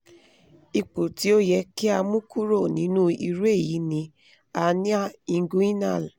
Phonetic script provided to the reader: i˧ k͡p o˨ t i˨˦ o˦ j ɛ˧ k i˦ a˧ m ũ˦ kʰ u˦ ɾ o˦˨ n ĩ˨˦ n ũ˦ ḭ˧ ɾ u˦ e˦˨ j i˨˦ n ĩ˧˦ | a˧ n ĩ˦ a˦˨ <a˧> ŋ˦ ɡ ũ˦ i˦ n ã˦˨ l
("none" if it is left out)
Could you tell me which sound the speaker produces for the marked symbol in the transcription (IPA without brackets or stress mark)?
i˧